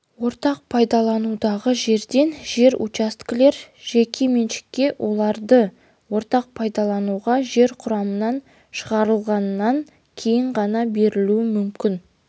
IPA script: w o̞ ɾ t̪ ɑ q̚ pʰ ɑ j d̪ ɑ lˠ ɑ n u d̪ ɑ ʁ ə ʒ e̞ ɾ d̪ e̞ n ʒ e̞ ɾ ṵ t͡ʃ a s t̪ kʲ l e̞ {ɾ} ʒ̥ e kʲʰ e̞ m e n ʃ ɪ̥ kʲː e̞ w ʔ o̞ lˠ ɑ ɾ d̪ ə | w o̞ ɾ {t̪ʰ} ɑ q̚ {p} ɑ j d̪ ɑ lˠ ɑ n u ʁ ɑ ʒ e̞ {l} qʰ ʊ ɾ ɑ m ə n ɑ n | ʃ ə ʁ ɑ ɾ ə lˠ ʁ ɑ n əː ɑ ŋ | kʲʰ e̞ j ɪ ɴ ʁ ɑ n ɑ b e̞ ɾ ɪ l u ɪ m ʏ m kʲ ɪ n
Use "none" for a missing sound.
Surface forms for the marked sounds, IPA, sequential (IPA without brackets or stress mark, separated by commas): ɾ, t̪, pʰ, ɾ